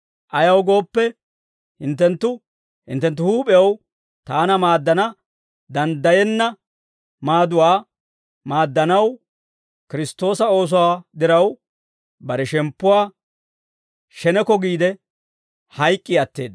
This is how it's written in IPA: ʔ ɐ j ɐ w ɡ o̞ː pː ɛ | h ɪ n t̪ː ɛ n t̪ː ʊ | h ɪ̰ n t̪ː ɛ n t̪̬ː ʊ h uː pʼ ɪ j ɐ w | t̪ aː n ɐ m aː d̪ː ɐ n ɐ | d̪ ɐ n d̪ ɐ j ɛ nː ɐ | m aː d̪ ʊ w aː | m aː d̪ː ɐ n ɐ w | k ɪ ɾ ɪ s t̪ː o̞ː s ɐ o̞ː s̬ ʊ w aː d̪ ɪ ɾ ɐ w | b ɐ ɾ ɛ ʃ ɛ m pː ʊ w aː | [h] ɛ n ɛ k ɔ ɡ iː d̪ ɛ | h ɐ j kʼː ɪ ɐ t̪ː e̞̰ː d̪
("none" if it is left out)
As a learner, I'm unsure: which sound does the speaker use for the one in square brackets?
ʃ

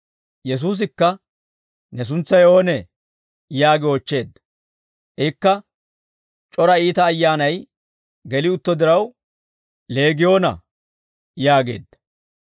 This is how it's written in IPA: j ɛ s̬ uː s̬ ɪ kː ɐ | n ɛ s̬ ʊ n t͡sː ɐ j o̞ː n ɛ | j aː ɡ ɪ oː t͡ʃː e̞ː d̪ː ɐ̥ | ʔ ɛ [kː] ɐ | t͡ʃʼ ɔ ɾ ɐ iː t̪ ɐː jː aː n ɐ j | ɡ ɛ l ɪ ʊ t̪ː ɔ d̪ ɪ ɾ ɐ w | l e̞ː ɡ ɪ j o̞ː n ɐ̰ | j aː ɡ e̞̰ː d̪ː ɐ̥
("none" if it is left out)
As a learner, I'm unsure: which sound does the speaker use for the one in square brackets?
kː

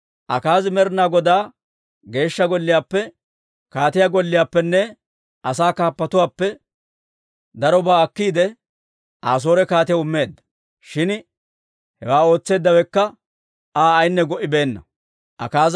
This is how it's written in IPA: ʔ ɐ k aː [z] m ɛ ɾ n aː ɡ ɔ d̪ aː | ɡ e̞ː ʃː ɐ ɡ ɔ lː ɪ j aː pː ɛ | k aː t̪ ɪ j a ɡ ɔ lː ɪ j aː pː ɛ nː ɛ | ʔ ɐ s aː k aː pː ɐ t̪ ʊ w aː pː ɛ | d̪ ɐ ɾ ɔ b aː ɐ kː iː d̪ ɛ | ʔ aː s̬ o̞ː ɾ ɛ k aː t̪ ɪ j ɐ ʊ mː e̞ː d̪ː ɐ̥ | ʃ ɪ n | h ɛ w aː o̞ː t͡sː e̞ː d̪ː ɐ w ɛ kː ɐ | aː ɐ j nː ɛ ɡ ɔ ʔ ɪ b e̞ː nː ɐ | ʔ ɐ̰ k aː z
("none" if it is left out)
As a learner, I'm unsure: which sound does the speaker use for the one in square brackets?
z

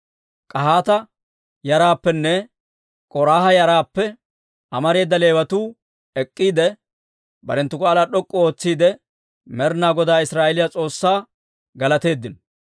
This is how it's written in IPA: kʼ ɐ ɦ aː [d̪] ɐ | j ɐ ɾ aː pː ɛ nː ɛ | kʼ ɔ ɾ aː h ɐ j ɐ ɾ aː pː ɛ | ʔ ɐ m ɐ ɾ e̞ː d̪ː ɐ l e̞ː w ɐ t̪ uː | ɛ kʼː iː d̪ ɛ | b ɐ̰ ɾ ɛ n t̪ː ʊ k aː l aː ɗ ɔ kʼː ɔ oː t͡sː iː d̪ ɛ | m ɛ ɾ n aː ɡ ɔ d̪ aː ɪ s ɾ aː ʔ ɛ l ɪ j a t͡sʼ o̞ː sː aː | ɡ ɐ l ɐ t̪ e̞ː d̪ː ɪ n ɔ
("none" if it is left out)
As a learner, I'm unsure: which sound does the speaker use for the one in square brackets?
t̪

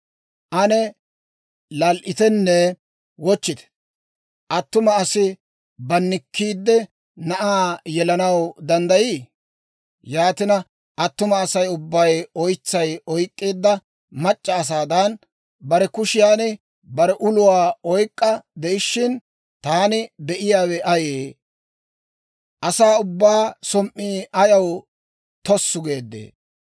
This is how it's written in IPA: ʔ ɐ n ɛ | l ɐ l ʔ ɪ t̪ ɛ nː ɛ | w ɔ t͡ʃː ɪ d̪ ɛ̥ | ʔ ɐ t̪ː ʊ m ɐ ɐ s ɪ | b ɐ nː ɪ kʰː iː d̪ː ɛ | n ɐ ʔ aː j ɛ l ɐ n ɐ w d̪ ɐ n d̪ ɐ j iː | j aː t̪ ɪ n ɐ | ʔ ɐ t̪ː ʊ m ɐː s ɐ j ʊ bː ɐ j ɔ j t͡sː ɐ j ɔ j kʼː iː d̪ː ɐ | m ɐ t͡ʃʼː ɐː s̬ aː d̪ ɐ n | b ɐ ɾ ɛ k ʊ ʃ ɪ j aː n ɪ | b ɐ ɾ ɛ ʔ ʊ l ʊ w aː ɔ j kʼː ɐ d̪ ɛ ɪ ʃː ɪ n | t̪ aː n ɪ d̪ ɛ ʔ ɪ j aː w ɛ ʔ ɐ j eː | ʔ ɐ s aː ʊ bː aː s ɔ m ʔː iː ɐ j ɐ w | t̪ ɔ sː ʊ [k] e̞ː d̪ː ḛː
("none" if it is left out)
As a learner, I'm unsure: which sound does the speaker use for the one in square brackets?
ɡ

